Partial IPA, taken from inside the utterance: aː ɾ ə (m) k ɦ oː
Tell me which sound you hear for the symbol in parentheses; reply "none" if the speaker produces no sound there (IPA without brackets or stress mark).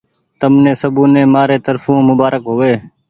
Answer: none